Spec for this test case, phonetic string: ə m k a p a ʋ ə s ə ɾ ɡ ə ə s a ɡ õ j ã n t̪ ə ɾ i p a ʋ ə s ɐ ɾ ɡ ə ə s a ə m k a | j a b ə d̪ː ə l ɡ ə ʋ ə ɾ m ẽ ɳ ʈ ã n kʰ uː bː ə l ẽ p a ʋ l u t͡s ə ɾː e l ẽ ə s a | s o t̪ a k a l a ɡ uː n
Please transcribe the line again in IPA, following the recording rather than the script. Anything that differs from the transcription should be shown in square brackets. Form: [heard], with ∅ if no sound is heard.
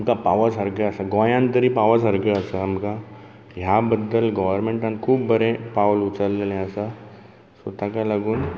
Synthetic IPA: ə m k a p a ʋ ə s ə ɾ ɡ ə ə s a ɡ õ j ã n t̪ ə ɾ i p a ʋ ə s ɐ ɾ ɡ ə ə s a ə m k a | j a b ə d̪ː ə l ɡ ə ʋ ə ɾ m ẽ ɳ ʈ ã n kʰ uː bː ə [ɾ] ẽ p a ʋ l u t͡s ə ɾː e l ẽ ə s a | s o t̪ a k a l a ɡ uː n